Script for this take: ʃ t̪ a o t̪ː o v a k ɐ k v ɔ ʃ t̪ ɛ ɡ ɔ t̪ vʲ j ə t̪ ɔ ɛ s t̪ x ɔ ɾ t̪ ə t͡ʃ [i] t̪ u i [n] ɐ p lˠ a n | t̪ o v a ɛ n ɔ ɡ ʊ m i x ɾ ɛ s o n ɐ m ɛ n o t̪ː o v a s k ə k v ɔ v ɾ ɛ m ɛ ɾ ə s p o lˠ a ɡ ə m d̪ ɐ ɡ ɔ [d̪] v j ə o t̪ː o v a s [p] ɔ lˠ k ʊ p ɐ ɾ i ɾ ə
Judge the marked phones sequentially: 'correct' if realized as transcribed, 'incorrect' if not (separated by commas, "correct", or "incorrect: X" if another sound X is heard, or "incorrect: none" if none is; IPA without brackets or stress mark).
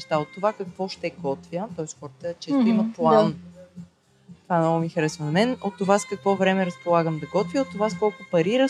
incorrect: ɛ, incorrect: m, incorrect: t̪, incorrect: k